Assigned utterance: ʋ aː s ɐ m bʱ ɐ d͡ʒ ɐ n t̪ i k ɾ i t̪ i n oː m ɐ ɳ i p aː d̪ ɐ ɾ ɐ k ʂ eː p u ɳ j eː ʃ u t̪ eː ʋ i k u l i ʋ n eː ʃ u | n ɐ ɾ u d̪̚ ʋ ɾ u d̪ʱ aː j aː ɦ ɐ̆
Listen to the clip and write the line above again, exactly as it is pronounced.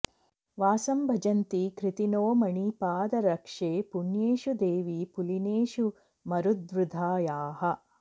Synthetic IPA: ʋ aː s ɐ m bʱ ɐ d͡ʒ ɐ n t̪ i k ɾ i t̪ i n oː m ɐ ɳ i p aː d̪ ɐ ɾ ɐ k ʂ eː p u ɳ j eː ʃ u d̪ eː ʋ i p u l i n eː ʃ u | m ɐ ɾ u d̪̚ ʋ ɾ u d̪ʱ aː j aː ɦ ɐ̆